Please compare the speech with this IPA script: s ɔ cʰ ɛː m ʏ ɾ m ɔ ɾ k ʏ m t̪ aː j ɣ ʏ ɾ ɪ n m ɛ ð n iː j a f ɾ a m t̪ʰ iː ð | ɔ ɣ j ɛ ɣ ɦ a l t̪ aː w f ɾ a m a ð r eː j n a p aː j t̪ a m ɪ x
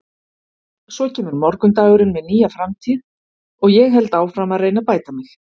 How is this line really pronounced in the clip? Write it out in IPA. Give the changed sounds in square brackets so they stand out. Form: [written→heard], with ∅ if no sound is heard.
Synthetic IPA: s ɔ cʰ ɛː m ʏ ɾ m ɔ ɾ k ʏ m t̪ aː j ɣ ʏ ɾ ɪ n m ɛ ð n iː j a f ɾ a m t̪ʰ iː ð | ɔ ɣ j ɛ ɣ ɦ [a→ɛ] l t̪ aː w f ɾ a m a ð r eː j n a p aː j t̪ a m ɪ x